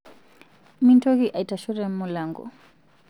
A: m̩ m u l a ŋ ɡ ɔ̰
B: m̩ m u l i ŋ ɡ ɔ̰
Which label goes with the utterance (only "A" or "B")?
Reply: A